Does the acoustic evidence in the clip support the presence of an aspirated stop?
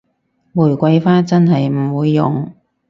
no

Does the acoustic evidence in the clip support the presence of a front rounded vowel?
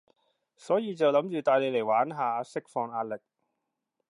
yes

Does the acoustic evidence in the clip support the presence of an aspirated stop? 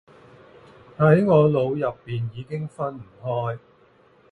no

